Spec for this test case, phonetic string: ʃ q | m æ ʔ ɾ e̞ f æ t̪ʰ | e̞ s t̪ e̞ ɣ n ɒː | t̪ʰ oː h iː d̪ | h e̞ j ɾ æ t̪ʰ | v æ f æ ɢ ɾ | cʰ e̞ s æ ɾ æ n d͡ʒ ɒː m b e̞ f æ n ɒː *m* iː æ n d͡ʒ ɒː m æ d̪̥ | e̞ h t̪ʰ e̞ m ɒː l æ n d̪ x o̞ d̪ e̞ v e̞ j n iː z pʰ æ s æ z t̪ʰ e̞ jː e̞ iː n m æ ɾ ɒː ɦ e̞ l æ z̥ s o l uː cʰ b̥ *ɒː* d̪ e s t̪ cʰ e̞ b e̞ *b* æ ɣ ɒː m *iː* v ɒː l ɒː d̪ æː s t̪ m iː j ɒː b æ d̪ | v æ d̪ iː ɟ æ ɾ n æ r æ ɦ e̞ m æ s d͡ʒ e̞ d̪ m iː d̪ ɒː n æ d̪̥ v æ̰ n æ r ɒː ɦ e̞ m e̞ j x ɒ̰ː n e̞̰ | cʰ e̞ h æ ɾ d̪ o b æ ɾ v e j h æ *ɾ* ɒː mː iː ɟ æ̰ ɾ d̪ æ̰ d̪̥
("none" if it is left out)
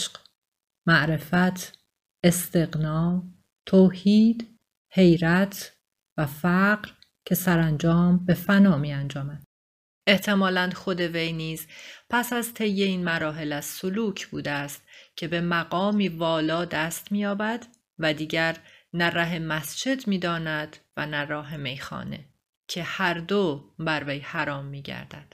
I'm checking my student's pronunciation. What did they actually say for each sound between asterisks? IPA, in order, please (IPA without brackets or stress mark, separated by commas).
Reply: m, uː, m, iː, ɾ